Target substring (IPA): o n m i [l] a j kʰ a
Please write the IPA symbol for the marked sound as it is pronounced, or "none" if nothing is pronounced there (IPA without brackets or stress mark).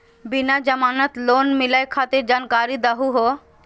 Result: l